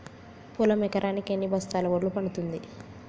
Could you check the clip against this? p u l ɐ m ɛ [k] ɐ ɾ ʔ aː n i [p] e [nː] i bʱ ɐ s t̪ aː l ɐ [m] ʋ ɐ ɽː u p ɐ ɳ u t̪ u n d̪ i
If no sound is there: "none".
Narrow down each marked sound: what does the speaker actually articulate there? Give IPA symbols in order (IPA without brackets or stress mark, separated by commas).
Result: k, k, nː, none